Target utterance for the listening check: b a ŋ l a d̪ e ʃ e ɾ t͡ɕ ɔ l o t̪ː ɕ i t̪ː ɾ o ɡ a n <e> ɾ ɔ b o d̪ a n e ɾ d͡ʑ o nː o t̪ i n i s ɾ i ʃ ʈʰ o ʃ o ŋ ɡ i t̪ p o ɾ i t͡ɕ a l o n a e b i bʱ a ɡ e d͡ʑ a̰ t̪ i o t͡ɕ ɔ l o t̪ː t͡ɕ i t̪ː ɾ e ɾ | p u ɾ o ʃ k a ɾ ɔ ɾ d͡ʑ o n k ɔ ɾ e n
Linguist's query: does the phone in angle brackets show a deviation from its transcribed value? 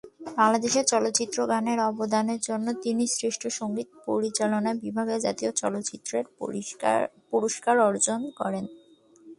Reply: no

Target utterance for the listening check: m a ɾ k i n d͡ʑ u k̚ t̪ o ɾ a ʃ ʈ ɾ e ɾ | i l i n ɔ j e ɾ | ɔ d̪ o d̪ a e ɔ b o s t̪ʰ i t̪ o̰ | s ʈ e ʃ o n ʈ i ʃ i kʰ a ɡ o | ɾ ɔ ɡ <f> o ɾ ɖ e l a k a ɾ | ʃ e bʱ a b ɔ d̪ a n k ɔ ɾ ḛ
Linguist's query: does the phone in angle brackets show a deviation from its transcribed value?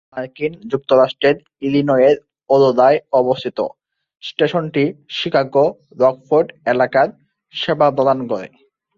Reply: no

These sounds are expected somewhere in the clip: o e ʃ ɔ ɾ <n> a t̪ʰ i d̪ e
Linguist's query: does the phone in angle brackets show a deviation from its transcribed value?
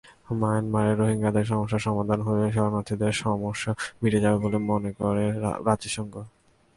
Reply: no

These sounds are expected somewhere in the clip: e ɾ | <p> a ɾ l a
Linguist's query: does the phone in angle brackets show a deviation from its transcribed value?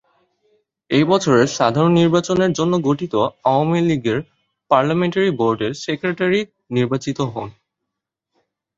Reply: no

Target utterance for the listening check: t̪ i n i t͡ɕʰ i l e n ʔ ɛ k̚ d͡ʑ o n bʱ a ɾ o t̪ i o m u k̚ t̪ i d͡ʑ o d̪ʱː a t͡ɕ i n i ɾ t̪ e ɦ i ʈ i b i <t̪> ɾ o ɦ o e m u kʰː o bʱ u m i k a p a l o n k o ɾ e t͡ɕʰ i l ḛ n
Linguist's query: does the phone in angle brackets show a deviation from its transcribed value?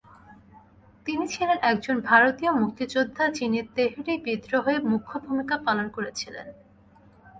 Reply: yes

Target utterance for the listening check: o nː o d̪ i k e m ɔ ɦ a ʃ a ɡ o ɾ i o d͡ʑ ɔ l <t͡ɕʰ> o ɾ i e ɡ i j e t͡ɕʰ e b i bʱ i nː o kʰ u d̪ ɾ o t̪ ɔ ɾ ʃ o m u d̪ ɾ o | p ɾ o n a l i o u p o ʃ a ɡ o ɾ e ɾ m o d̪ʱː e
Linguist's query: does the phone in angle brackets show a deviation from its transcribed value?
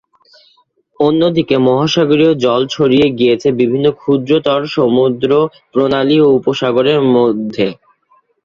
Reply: no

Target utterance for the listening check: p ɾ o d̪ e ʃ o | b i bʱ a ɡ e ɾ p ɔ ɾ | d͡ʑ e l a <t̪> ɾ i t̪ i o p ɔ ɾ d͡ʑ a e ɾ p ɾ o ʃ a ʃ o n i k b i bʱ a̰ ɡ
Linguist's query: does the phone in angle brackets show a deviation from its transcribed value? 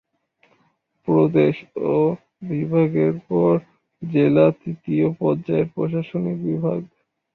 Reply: no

